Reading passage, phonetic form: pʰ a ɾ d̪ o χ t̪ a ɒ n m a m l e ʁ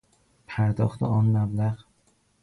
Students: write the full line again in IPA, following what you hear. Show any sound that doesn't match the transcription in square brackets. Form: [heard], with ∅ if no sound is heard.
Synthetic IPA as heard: pʰ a ɾ d̪ [ɒ] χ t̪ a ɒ n m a [b] l [a] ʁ